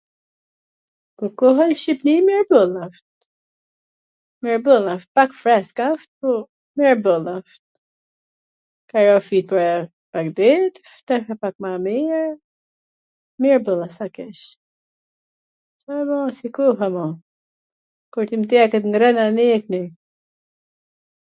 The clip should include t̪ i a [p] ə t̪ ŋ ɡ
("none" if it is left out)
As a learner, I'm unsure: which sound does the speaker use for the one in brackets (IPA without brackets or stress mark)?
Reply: k